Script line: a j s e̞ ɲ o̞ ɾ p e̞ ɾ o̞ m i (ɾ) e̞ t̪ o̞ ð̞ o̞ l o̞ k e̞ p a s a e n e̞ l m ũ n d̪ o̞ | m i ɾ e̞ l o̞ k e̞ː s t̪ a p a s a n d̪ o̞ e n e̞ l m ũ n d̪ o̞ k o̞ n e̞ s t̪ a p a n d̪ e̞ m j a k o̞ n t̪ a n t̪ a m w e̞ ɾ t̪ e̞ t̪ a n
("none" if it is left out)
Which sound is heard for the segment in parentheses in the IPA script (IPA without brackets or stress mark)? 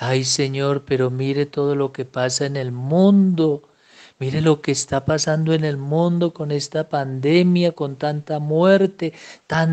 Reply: ɾ